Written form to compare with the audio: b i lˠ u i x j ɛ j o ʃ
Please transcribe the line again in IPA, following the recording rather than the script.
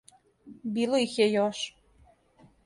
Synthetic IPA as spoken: b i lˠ o i x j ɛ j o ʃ

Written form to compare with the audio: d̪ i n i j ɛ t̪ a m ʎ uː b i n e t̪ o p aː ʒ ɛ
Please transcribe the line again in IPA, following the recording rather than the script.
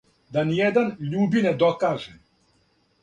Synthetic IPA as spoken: d̪ a n i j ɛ d̪ a n ʎ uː b i n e d̪ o k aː ʒ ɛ

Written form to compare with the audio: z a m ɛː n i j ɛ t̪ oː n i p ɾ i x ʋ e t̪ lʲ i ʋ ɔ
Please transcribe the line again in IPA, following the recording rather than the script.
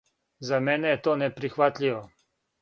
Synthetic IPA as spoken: z a m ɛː n ɛ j ɛ t̪ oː n ɛ p ɾ i x ʋ a t̪ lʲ i ʋ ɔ

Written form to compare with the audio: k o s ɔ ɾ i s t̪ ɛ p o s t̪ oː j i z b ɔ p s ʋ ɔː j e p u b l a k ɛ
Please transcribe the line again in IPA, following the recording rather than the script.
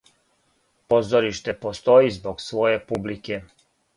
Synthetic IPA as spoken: p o z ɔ ɾ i ʃ t̪ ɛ p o s t̪ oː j i z b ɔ k s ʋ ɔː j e p u b l i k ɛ

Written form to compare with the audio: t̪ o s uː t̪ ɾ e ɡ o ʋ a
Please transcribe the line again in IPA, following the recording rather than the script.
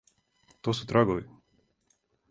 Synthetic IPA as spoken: t̪ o s u t̪ ɾ a ɡ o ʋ i

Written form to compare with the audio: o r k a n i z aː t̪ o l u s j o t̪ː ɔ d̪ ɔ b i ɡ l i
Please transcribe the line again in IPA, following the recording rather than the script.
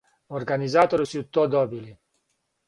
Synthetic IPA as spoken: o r ɡ a n i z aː t̪ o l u s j u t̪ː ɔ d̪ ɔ b i l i

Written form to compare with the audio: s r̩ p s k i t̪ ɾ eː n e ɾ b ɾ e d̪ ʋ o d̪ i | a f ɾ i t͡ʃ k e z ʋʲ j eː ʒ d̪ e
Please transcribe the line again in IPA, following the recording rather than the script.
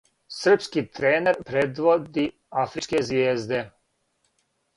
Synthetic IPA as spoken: s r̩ p s k i t̪ ɾ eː n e ɾ p ɾ e d̪ ʋ o d̪ i | a f ɾ i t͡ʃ k e z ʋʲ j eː z d̪ e

